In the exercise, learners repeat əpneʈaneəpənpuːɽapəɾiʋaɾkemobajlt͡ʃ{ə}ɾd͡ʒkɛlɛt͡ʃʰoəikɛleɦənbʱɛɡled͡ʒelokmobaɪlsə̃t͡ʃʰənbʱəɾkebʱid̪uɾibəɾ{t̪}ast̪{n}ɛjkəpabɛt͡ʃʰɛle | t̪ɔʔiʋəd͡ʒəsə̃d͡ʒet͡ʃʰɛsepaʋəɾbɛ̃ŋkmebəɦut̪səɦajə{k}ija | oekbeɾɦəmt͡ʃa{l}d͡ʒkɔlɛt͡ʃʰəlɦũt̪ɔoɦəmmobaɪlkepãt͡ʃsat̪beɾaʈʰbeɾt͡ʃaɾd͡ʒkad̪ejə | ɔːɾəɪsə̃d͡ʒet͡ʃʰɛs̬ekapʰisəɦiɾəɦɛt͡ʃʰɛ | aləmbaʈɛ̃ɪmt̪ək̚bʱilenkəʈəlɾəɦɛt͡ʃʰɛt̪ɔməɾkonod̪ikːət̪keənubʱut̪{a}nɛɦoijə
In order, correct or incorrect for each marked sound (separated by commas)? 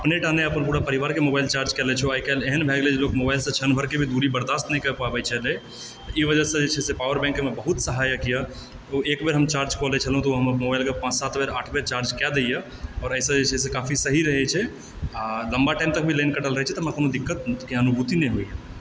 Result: incorrect, incorrect, correct, correct, incorrect, incorrect